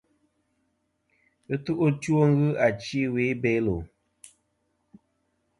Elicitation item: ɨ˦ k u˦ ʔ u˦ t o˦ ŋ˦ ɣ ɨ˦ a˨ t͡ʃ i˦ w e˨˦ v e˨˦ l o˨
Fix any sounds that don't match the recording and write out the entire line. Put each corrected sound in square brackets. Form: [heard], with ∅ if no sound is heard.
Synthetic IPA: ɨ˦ [t] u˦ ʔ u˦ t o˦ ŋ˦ ɣ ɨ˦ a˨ t͡ʃ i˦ w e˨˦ [b] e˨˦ l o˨